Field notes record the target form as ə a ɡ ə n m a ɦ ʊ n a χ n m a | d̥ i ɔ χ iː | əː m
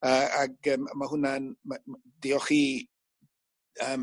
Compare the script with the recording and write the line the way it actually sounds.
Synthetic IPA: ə a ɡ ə m m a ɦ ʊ n a n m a | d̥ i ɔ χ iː | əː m